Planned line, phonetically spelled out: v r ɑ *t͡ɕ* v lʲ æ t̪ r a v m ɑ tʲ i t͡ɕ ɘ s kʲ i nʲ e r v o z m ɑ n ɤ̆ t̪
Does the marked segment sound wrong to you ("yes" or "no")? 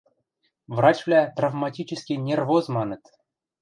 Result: no